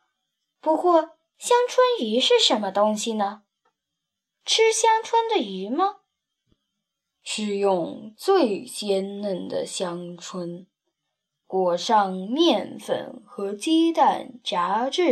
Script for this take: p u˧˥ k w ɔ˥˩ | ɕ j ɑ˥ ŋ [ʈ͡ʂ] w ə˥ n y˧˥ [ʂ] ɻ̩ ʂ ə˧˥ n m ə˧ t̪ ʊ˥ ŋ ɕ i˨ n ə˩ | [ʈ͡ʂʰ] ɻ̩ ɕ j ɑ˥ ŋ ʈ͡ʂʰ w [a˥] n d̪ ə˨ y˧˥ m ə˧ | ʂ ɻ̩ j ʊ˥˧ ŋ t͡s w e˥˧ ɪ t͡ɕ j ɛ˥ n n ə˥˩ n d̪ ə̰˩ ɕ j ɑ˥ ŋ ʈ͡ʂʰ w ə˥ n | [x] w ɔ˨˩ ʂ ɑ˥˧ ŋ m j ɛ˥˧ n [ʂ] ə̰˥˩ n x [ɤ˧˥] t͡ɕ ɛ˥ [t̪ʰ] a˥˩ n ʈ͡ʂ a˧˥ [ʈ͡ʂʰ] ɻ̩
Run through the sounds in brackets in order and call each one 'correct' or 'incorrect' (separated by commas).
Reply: incorrect, correct, correct, incorrect, incorrect, incorrect, correct, incorrect, incorrect